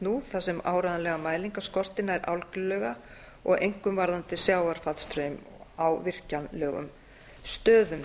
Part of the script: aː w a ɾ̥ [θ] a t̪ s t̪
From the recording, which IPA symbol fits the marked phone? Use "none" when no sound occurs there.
f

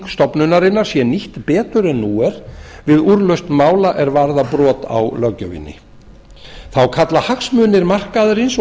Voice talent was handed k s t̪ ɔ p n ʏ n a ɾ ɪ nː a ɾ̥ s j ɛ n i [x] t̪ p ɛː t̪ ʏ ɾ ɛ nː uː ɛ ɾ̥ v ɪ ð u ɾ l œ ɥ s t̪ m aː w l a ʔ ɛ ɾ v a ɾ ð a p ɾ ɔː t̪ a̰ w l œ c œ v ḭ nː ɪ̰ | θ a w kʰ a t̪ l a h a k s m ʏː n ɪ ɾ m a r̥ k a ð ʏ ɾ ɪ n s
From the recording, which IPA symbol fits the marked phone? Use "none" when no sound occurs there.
h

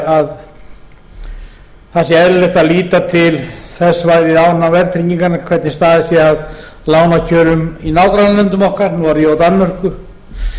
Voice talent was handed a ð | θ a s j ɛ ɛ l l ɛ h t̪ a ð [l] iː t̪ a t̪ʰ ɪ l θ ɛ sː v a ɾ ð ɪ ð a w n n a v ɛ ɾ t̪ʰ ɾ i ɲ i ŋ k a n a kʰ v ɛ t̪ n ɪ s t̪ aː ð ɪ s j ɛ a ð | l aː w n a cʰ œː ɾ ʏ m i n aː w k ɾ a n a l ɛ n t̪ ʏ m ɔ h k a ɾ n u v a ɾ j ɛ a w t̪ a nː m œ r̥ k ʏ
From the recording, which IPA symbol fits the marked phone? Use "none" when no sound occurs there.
l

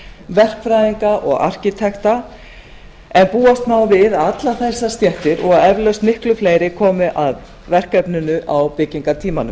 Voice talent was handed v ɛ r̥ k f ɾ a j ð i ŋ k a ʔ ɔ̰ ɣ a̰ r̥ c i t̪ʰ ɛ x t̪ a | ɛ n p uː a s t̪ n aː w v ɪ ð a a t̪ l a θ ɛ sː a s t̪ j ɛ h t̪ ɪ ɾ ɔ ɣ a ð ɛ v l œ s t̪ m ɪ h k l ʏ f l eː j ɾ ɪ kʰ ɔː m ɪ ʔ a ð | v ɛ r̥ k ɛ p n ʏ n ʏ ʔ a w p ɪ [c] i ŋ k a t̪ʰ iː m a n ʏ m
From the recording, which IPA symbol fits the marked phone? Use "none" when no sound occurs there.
c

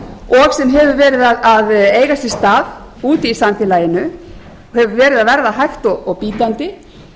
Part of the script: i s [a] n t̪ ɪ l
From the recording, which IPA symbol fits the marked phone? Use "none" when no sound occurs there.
a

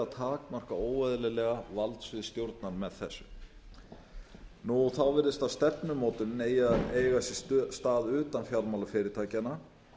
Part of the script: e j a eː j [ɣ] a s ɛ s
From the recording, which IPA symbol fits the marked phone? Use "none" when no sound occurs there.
ɣ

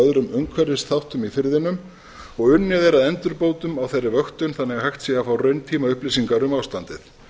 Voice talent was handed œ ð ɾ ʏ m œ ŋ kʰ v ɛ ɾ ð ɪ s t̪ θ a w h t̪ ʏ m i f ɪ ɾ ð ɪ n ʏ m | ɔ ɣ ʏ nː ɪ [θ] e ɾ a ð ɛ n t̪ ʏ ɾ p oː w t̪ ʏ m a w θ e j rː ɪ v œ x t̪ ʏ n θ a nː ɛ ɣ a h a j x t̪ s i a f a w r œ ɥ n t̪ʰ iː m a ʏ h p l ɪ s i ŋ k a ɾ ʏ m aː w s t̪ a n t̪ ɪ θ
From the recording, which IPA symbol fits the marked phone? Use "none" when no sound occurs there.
ð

